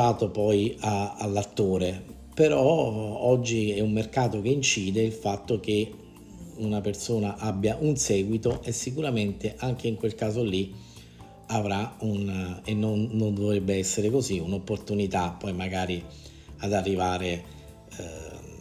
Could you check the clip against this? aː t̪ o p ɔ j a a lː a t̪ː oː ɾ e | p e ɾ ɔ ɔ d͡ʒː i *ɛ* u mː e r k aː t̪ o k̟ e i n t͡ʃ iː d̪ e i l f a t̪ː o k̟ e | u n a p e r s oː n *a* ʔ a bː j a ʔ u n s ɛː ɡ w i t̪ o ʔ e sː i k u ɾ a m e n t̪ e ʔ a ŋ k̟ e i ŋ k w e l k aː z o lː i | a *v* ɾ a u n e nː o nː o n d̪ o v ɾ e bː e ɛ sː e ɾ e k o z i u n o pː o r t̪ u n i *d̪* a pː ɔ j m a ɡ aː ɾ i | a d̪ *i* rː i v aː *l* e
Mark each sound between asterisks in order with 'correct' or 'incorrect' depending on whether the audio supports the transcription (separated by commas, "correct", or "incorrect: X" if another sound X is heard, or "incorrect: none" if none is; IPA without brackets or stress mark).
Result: correct, correct, correct, incorrect: t̪, incorrect: a, incorrect: ɾ